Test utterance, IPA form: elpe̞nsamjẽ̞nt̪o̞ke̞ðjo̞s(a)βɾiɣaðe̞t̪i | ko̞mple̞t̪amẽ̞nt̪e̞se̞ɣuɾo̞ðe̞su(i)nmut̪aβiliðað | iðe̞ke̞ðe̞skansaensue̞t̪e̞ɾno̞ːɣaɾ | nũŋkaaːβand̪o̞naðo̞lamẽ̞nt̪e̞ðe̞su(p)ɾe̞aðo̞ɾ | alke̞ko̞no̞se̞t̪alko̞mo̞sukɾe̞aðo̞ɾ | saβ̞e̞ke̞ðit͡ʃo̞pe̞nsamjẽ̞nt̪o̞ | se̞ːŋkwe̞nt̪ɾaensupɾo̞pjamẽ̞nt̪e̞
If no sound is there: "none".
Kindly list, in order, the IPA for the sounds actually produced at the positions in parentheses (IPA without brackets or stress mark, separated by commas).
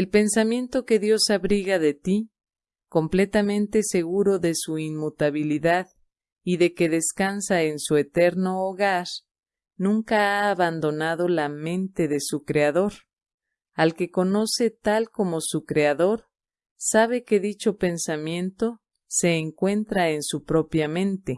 a, i, k